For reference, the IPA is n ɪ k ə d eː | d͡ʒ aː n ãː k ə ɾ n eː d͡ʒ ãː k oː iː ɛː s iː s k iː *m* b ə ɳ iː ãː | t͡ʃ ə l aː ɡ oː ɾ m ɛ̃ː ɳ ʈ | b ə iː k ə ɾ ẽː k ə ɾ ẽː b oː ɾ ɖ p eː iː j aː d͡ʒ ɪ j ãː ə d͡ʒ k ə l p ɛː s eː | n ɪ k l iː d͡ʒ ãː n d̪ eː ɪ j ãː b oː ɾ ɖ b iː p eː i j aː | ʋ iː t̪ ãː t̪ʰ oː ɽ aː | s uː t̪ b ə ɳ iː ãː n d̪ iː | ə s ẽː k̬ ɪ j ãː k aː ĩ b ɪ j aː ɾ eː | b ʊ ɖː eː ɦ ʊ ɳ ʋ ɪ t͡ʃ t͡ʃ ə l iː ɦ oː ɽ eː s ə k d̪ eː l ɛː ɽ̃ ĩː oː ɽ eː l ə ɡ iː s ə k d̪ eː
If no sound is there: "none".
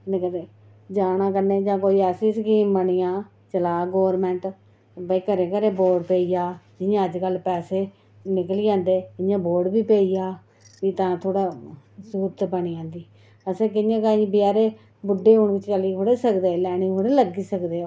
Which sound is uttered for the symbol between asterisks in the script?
m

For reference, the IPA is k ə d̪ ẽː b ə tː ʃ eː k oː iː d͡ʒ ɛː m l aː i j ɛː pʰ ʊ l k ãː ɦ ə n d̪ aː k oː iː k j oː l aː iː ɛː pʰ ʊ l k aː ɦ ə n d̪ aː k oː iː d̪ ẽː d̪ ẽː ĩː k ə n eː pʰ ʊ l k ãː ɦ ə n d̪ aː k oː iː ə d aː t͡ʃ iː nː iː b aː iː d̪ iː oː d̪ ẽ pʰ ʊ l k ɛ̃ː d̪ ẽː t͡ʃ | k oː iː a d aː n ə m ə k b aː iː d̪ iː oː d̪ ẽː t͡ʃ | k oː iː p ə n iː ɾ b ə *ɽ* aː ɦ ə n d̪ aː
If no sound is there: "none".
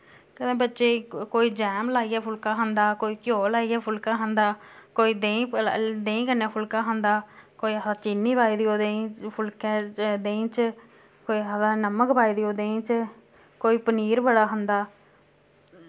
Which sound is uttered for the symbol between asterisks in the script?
ɽ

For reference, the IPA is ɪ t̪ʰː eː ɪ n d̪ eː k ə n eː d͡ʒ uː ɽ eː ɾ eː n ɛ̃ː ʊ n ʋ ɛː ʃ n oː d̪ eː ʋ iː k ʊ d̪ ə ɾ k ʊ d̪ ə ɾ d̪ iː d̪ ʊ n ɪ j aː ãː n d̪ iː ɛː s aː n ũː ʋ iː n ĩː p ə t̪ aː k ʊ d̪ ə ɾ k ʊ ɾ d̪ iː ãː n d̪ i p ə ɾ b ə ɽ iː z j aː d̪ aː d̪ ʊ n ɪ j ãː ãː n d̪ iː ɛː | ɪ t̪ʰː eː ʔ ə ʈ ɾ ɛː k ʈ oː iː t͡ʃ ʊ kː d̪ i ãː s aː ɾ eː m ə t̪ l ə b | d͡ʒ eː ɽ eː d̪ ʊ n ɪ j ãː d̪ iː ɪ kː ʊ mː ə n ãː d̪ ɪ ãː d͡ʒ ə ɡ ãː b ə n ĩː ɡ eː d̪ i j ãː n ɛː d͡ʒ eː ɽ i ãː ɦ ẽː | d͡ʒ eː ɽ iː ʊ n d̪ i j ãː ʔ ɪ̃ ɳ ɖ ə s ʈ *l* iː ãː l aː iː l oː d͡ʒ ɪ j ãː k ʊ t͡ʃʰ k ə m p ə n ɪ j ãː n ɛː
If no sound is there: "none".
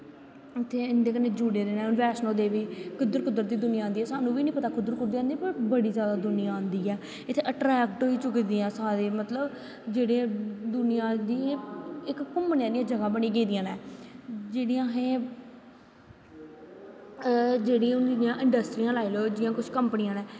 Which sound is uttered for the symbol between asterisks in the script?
ɾ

